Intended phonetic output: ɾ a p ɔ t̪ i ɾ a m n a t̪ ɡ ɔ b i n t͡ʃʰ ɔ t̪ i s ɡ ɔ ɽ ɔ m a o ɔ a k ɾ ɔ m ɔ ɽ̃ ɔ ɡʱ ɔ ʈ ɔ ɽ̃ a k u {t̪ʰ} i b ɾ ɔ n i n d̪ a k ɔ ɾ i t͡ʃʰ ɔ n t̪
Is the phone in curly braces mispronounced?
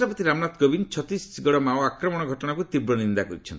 yes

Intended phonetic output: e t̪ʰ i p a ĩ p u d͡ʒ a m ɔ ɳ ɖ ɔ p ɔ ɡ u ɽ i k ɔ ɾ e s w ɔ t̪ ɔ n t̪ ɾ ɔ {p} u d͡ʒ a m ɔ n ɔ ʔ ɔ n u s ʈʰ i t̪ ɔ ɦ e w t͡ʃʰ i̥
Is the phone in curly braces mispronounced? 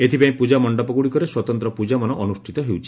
no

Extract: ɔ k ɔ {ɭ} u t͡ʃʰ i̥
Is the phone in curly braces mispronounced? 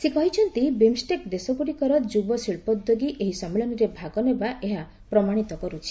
yes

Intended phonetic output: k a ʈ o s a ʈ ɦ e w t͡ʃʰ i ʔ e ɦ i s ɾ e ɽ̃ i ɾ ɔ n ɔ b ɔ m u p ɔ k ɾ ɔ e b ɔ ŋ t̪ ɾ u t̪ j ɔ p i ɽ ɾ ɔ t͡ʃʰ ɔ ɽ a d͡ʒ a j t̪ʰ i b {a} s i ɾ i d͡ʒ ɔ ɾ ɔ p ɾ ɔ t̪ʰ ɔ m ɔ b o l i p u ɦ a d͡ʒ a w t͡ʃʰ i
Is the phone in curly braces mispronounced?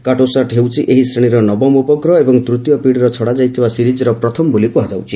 no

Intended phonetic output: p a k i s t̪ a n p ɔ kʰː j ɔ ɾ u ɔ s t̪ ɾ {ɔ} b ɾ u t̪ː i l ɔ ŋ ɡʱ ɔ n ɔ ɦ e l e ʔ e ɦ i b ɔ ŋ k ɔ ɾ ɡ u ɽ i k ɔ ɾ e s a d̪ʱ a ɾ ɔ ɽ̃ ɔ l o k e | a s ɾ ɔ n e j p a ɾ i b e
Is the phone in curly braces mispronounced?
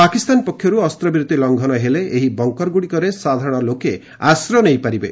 no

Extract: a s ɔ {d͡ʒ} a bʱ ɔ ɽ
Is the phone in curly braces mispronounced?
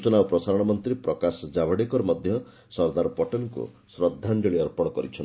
no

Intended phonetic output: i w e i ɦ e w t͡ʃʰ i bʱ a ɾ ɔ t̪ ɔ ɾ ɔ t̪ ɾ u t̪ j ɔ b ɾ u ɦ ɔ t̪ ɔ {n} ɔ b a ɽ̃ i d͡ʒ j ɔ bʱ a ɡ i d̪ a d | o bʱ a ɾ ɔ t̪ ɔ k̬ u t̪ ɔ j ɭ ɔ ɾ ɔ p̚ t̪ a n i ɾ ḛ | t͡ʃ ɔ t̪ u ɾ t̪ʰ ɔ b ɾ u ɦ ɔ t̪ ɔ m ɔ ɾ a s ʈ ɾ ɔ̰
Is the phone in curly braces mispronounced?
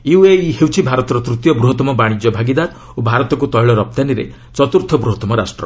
yes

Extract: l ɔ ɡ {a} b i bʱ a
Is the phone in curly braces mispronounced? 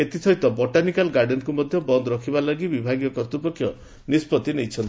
yes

